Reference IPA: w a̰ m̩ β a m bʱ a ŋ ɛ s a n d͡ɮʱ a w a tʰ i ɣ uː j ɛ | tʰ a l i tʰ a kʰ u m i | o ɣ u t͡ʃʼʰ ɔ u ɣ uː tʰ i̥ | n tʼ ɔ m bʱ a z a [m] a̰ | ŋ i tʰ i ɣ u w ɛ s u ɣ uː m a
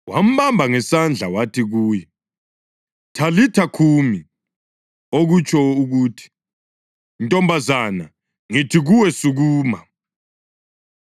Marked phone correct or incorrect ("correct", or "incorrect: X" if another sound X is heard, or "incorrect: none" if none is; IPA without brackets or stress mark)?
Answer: incorrect: n